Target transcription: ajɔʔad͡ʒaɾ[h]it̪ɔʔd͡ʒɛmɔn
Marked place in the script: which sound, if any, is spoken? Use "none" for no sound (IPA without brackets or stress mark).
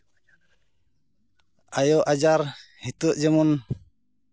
h